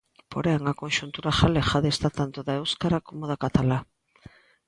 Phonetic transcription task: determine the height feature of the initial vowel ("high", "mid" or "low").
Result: mid